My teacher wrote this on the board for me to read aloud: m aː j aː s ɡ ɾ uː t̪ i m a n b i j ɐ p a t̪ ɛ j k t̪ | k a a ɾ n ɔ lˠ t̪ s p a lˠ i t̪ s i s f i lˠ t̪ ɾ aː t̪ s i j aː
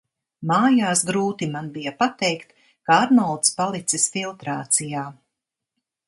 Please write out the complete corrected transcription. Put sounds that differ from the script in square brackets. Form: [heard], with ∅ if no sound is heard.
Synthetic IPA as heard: m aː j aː s ɡ ɾ uː t̪ i m a n b i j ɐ p a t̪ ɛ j k t̪ | k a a ɾ n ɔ lˠ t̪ s p a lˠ i t̪ s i s f i lˠ t̪ ɾ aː t̪ s i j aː